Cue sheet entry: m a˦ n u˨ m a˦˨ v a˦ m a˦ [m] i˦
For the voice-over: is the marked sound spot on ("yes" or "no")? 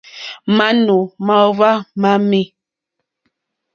yes